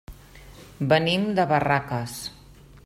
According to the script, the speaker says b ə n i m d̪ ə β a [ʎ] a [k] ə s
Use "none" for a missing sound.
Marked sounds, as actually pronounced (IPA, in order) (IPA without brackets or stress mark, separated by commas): r, k